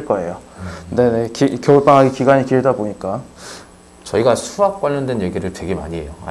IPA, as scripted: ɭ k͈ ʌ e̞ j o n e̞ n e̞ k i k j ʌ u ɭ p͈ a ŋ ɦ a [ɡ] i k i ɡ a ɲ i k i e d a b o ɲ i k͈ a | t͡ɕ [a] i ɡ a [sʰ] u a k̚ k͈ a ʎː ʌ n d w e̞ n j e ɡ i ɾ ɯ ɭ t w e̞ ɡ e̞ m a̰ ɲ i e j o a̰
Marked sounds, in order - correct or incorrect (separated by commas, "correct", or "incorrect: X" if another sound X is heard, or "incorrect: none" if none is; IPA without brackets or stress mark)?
correct, incorrect: ʌ, correct